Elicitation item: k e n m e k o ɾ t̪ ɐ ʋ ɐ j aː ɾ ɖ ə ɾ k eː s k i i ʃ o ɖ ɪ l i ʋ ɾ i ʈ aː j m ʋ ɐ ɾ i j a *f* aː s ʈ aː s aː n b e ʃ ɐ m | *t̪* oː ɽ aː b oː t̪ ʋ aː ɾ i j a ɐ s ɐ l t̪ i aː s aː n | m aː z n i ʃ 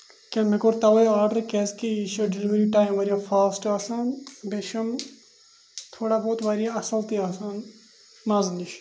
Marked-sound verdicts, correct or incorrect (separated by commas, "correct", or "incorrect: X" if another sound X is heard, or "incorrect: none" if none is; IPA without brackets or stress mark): correct, incorrect: t̪ʰ